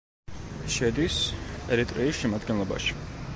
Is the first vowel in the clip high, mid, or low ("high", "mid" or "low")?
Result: mid